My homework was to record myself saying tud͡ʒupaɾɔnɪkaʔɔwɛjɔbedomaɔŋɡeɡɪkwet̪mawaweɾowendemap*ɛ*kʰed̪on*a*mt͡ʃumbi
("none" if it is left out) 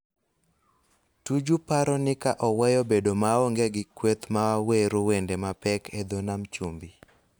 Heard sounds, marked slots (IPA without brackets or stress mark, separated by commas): ɛ, a